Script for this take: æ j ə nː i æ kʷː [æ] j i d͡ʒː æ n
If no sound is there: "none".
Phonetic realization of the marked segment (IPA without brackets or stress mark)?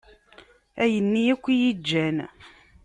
i